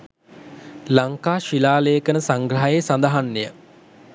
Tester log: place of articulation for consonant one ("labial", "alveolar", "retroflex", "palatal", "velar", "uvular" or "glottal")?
alveolar